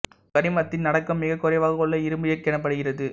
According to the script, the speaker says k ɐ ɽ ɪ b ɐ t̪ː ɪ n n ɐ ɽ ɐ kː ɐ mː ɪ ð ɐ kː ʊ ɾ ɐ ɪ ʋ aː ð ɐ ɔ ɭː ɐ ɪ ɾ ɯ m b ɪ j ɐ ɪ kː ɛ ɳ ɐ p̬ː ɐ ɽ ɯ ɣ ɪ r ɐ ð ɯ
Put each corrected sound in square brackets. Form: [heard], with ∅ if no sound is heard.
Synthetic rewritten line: k ɐ ɽ ɪ [m] ɐ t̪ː ɪ n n ɐ ɽ ɐ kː ɐ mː ɪ [ɣ] ɐ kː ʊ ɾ ɐ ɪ ʋ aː [ɣ] ɐ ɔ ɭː ɐ ɪ ɾ ɯ m b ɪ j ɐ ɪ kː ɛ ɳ ɐ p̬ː ɐ ɽ ɯ ɣ ɪ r ɐ ð ɯ